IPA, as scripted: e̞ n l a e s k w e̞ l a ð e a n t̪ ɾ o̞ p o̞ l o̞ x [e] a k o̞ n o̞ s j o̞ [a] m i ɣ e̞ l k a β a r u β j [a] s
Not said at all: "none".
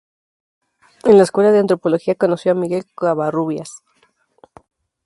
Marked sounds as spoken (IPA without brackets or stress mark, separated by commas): i, a, a